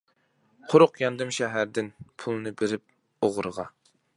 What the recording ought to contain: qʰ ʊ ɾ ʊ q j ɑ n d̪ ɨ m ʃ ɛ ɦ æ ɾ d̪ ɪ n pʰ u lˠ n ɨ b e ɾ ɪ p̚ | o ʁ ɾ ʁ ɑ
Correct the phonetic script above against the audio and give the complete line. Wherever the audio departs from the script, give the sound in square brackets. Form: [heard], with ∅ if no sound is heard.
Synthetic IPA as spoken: qʰ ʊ ɾ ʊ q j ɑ n d̪ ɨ m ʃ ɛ ɦ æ ɾ d̪ ɪ n pʰ u lˠ n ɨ b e ɾ ɪ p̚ | o ʁ ɾ ʁ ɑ